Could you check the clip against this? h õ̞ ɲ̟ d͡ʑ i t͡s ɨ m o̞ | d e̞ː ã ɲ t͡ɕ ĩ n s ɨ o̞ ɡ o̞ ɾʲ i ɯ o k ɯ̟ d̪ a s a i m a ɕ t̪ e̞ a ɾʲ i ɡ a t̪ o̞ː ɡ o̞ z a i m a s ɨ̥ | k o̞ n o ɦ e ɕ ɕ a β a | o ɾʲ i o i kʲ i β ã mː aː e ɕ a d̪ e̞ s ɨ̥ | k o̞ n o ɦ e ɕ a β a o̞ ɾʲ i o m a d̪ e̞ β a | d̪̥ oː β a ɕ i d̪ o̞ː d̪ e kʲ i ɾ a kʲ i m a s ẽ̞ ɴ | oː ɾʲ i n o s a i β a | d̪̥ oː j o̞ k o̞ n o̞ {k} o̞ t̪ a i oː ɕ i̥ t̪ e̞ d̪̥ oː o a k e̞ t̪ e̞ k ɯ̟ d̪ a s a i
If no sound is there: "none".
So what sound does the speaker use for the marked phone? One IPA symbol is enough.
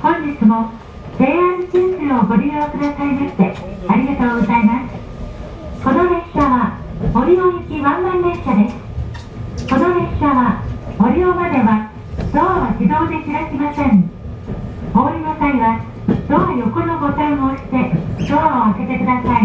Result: ɡ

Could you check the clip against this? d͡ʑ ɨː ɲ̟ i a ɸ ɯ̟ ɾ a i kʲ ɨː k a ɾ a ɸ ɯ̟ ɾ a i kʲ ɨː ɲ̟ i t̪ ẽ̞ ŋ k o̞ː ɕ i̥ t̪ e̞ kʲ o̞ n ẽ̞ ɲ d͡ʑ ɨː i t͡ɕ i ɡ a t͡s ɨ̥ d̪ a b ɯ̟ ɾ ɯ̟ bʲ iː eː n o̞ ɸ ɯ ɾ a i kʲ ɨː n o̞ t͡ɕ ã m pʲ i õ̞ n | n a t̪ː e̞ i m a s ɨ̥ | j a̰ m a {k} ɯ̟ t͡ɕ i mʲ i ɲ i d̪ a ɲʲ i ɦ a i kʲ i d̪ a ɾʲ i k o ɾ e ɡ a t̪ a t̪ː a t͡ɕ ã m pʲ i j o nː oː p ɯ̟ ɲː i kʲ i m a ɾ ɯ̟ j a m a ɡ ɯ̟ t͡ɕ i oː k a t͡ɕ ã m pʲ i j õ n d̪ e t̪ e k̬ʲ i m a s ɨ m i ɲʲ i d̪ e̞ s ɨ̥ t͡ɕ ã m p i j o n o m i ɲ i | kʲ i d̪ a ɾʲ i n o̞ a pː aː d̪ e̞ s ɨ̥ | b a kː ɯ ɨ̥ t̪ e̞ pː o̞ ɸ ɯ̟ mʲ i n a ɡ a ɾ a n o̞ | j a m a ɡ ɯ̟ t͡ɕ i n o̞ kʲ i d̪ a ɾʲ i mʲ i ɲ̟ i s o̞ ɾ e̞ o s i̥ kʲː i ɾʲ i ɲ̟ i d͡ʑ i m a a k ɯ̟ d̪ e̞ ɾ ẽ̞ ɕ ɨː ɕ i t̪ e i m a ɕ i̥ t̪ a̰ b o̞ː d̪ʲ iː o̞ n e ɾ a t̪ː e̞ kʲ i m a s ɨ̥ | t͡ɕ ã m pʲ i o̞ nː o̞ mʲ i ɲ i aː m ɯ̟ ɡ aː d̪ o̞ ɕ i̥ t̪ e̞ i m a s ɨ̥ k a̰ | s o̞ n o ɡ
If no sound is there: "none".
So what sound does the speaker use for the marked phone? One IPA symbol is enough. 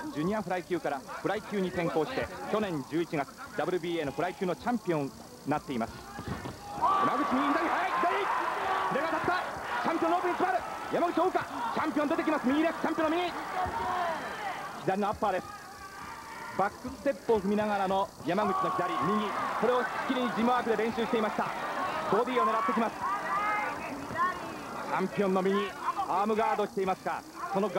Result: ɡ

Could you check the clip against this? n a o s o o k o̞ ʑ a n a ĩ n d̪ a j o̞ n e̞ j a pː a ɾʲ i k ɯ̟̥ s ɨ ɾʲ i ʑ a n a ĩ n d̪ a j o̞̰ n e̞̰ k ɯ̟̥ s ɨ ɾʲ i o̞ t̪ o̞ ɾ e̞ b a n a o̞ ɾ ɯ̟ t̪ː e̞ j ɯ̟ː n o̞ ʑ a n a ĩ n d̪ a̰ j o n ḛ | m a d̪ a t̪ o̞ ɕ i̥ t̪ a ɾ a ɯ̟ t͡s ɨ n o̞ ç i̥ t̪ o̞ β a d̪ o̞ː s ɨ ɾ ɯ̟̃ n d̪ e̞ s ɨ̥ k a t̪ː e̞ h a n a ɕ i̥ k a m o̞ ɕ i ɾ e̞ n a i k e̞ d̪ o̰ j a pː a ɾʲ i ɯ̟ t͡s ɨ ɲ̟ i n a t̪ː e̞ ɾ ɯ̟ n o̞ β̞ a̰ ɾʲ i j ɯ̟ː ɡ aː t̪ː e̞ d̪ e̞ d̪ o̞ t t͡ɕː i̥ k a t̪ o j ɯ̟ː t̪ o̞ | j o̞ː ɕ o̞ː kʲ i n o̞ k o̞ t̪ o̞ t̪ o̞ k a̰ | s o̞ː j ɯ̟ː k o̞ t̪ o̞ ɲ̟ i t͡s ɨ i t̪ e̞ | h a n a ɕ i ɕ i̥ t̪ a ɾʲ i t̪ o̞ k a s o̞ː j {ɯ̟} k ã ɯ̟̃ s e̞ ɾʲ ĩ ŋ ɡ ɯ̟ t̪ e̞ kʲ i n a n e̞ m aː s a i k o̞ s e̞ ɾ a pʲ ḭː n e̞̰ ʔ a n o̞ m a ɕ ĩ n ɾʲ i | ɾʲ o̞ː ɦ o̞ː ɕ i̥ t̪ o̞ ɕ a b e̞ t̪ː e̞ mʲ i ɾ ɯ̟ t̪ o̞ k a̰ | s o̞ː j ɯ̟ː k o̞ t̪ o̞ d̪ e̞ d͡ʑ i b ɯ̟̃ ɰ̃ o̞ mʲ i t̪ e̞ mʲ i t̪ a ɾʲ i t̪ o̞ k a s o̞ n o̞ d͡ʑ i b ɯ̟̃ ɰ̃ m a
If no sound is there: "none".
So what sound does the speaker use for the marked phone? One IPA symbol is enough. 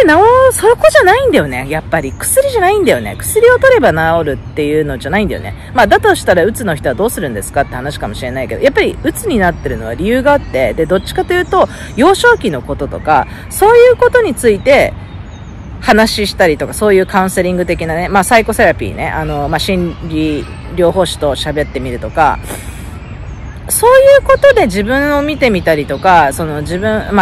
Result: ɯ̟ː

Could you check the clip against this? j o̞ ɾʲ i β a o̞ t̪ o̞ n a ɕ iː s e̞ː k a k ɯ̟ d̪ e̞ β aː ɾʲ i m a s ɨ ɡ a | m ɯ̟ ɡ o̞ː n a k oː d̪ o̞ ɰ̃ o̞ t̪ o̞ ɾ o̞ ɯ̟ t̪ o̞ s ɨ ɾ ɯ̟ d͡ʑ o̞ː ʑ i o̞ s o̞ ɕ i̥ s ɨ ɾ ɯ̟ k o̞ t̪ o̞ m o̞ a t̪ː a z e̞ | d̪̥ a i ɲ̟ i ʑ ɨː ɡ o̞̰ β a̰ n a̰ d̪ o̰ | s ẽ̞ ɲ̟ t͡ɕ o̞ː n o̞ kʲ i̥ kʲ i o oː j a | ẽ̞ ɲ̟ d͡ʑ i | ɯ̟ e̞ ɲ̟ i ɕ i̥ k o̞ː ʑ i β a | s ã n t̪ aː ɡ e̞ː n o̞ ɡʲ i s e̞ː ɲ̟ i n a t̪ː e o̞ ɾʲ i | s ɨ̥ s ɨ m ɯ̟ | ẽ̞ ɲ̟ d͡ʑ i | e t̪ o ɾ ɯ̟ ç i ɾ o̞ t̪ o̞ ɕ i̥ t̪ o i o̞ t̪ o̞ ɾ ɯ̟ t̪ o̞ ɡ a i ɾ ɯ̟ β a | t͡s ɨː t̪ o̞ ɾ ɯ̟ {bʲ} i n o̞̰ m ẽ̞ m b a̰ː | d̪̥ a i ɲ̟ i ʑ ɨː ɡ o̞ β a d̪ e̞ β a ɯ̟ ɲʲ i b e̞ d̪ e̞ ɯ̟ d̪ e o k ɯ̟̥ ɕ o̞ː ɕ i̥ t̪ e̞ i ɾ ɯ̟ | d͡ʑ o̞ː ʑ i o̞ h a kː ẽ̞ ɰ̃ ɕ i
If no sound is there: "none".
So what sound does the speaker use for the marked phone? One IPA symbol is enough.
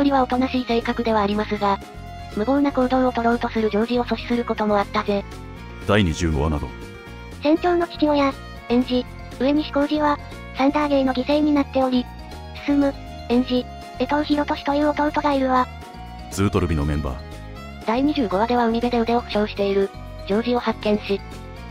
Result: bʲ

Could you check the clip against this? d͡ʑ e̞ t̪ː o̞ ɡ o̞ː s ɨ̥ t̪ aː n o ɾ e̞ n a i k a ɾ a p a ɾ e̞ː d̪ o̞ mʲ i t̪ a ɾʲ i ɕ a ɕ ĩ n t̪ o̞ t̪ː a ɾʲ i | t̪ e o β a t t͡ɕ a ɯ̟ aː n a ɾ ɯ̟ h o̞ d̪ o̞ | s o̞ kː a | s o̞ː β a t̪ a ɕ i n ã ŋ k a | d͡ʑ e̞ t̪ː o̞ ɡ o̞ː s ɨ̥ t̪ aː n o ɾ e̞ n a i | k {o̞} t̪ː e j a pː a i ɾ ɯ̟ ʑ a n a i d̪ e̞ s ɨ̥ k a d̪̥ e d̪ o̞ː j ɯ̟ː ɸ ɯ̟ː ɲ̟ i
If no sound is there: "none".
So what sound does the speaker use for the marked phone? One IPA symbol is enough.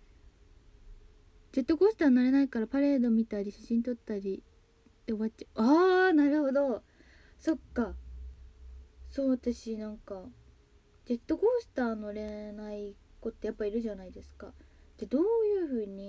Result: o̞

